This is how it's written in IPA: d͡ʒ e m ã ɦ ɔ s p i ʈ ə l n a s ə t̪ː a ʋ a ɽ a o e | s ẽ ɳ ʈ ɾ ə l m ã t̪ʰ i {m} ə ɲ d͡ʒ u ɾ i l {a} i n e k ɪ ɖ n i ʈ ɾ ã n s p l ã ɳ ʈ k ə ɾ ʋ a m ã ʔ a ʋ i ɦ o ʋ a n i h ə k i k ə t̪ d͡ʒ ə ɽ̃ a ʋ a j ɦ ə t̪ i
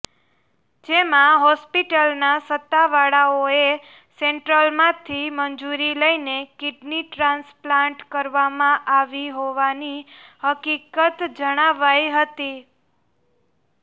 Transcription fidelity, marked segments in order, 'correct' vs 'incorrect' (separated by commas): correct, incorrect